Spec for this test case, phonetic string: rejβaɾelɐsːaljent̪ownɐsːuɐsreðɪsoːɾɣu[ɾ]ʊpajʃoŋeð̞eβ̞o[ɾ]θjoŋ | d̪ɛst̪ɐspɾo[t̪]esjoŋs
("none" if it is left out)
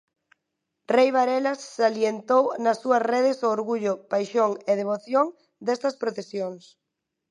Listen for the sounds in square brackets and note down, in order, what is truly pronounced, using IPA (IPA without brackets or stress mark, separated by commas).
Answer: ʎ, none, t̪